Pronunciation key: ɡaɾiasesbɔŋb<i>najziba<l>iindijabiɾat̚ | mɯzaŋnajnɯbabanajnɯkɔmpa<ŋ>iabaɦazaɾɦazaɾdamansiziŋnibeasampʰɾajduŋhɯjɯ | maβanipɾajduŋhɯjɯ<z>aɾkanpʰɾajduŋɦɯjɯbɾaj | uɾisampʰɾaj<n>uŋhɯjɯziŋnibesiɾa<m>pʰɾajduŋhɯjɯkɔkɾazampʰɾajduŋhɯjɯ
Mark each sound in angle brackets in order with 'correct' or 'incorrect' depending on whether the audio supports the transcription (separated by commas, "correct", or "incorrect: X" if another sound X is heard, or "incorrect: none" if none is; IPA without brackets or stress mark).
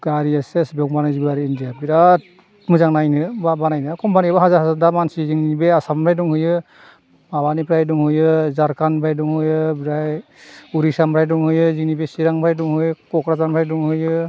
incorrect: a, incorrect: ɾ, incorrect: n, correct, incorrect: d, incorrect: ŋ